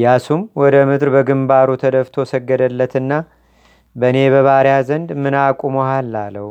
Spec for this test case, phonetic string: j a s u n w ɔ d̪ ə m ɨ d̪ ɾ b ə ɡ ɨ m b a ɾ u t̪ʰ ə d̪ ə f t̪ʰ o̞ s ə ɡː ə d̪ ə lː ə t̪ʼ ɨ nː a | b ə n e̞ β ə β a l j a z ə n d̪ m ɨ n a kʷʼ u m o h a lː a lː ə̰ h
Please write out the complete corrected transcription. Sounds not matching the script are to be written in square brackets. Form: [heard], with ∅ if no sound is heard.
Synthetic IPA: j a s u [m] w ɔ d̪ ə m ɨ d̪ ɾ b ə ɡ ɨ m b a ɾ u t̪ʰ ə d̪ ə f t̪ʰ o̞ s ə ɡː ə d̪ ə lː ə [t̪] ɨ nː a | b ə n e̞ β ə β a [ɾ] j a z ə n d̪ m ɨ n a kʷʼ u m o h a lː a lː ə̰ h